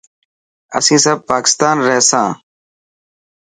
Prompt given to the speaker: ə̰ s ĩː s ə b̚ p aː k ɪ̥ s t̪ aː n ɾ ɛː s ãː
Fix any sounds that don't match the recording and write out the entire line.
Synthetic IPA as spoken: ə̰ s ĩː s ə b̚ p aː k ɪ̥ s t̪ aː n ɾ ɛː s ãː

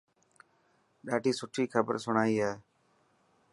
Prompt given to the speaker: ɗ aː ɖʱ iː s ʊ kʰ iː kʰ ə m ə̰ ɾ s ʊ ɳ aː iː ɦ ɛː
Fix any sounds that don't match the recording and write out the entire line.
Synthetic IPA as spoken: ɗ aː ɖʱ iː s ʊ ʈʰ iː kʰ ə b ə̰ ɾ s ʊ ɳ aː iː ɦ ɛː

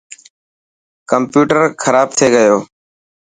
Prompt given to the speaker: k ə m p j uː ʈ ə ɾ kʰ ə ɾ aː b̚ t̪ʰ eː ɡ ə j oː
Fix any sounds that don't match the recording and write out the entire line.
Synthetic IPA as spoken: k ə m p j uː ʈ ə ɾ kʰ ə ɾ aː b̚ t̪ʰ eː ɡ ə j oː

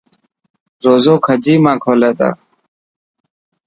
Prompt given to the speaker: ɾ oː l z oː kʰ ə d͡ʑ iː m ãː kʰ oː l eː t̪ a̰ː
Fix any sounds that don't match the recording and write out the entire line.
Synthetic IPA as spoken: ɾ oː z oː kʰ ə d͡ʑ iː m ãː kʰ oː l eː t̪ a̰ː

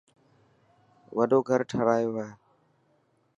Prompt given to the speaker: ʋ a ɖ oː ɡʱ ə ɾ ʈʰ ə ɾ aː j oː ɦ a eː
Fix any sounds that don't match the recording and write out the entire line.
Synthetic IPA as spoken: ʋ ə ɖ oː ɡʱ ə ɾ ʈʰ ə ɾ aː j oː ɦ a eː

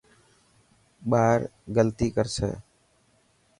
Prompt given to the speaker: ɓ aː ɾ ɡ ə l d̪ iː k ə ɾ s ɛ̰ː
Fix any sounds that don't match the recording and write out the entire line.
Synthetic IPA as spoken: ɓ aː ɾ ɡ ə l t̪ iː k ə ɾ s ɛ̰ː

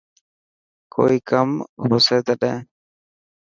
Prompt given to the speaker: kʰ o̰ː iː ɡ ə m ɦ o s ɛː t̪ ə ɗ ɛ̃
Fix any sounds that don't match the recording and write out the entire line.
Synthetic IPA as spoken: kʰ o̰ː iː k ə m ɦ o s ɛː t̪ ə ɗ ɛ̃

